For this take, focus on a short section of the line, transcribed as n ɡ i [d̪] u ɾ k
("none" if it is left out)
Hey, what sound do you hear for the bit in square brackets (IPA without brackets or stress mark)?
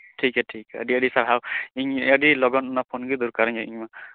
d̪